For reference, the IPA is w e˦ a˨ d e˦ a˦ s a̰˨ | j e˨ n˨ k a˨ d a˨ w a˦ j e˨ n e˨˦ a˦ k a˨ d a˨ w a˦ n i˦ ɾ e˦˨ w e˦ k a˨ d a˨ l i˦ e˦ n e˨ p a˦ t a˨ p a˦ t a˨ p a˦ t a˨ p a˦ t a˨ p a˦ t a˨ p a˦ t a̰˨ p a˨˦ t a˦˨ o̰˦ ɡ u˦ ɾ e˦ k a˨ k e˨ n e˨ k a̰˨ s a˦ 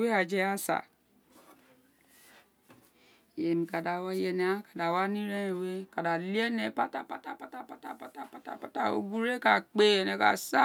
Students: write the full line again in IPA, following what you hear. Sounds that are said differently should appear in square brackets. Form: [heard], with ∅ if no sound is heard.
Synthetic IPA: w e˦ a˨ [d͡ʒ] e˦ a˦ s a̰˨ | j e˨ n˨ k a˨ d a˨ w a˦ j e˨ n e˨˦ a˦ k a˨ d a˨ w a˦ n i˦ ɾ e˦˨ w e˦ k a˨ d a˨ l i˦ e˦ n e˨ p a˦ t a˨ p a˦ t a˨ p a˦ t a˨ p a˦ t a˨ p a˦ t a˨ p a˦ t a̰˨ p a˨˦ t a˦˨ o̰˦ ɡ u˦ ɾ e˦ k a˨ [k͡p] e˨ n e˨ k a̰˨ s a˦